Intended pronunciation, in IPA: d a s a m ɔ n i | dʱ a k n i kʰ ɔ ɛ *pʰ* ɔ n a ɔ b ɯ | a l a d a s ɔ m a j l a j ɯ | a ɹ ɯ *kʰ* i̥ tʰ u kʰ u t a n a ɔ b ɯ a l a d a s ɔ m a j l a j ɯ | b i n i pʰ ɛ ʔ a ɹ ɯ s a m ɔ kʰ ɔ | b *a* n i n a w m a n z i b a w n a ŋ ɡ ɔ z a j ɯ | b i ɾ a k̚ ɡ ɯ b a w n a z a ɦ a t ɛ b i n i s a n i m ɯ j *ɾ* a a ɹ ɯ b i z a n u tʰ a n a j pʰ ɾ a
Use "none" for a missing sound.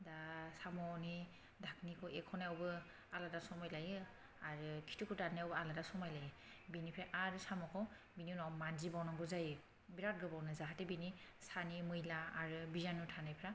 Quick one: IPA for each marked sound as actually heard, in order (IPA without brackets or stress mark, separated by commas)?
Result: kʰ, kʰ, i, l